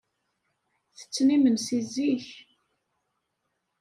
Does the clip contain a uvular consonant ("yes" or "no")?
no